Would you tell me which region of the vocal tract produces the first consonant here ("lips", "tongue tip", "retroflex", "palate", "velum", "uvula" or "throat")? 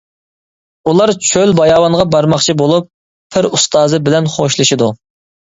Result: tongue tip